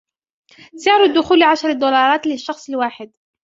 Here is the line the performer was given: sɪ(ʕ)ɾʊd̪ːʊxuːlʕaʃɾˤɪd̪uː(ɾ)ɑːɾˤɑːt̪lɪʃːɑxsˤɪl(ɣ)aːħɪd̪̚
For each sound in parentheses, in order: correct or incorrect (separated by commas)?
correct, incorrect, incorrect